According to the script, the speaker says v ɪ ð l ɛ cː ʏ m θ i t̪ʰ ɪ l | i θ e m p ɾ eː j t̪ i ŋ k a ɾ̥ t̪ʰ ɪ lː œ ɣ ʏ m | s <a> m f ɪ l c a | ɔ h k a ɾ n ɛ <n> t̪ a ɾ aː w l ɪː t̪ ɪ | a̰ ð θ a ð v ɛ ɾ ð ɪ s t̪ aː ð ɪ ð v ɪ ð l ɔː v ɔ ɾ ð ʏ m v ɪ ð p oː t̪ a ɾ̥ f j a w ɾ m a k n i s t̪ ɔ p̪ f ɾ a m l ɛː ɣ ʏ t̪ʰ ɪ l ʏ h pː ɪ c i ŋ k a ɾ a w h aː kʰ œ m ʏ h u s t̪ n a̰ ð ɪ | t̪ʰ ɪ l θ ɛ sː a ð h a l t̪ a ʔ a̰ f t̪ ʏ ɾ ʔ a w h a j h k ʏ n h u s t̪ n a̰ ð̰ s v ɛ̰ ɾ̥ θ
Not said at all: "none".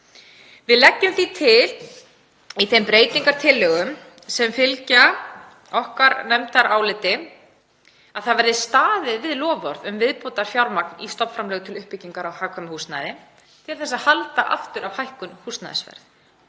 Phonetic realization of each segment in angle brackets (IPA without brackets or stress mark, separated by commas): ɛ, m